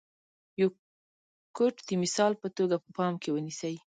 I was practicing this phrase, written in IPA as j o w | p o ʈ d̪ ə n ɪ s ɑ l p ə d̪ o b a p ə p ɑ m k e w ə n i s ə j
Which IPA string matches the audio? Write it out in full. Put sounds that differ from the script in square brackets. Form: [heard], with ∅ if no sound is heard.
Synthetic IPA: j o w | [k] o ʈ d̪ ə [m] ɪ s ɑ l p ə [t̪] o [ɡ] a p ə p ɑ m k e w ə n i s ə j